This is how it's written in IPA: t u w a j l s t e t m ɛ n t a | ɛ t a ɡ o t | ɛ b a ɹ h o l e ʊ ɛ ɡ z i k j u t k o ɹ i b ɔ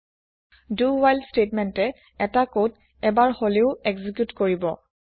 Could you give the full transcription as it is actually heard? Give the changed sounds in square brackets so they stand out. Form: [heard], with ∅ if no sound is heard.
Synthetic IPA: [d] u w a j l s t e t m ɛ n t [ɛ] | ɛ t a [k] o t | ɛ b a ɹ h o l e ʊ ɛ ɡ z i k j u t k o ɹ i b ɔ